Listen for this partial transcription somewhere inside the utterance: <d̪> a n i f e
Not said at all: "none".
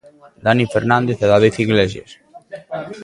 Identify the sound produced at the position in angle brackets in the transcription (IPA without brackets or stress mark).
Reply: d̪